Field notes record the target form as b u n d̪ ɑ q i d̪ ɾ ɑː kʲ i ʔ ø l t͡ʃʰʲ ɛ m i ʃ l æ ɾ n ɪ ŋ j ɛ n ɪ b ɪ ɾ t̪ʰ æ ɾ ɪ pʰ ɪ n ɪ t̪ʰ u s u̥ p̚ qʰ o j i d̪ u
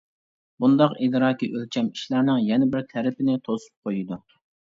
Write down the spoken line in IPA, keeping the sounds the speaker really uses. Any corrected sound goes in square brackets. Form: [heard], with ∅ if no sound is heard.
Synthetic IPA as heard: b u n d̪ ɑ q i d̪ ɾ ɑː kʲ i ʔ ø l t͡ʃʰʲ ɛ m i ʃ l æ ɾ n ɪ ŋ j ɛ n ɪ b ɪ ɾ t̪ʰ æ ɾ ɪ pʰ ɪ n ɪ t̪ʰ [o] s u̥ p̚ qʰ o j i d̪ u